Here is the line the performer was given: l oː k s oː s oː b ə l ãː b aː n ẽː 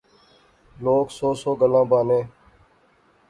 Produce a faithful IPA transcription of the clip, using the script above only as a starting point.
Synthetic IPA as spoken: l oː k s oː s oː ɡ ə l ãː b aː n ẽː